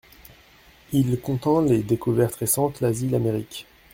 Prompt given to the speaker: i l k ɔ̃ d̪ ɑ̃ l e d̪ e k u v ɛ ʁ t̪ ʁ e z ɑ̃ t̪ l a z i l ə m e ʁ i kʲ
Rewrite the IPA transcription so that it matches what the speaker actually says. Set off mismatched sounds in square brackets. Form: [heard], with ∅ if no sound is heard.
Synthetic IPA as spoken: i l k ɔ̃ [t̪] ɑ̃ l e d̪ e k u v ɛ ʁ t̪ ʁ e [s] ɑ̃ t̪ l a z i l [a] m e ʁ i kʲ